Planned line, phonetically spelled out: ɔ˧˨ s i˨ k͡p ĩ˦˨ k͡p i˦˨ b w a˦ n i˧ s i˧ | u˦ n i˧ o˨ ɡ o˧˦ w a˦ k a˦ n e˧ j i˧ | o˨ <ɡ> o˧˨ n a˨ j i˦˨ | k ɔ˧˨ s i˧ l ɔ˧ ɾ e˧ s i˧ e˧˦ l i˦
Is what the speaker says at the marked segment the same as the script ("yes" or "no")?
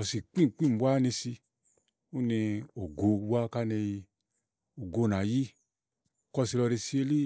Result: yes